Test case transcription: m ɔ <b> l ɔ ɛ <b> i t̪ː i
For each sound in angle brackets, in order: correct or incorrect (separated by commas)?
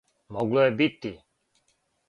incorrect, correct